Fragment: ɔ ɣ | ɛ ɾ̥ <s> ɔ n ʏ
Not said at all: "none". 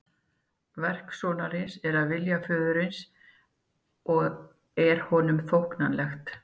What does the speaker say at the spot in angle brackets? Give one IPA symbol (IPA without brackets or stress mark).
h